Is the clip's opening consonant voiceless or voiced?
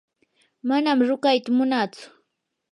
voiced